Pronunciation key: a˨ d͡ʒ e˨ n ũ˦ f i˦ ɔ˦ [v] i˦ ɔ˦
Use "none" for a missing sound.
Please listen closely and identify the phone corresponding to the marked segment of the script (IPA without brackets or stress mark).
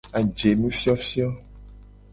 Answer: f